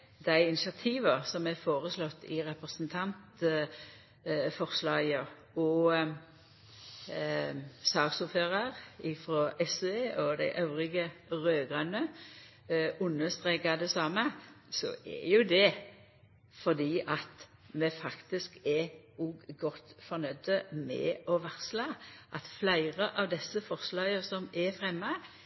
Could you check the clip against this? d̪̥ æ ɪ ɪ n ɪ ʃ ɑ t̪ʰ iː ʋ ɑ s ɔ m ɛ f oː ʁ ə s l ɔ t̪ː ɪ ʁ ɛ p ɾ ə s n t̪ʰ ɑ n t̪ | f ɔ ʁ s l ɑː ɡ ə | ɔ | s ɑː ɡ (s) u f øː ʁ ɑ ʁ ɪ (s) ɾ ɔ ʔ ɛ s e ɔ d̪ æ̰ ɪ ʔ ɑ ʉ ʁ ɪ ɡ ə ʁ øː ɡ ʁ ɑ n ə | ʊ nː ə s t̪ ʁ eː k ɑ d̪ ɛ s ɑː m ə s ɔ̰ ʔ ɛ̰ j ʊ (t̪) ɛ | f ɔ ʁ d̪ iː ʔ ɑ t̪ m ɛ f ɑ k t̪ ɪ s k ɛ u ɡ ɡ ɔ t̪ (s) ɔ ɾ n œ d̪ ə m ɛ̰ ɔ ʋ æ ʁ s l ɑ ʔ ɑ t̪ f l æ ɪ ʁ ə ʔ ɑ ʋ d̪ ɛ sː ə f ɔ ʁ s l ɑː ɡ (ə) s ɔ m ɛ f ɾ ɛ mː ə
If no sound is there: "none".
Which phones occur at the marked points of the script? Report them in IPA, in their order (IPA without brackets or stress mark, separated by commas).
s, f, d̪, f, ə